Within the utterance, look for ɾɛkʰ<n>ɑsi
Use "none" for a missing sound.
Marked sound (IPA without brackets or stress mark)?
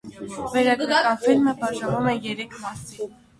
m